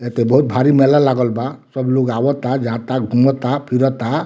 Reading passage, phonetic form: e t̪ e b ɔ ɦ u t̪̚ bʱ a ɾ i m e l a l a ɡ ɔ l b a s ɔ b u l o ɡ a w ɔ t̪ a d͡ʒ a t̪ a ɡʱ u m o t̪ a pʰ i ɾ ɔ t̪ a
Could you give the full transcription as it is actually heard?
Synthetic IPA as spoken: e t̪ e b ɔ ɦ u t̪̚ bʱ a ɾ i m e l a l a ɡ ɔ l b a s ɔ b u l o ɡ a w ɔ t̪ a d͡ʒ a t̪ a ɡʱ u m ɔ t̪ a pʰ i ɾ ɔ t̪ a